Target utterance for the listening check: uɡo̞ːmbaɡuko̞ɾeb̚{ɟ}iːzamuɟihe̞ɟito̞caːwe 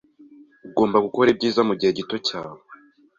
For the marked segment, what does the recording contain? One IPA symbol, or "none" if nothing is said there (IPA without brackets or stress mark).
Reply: ɟ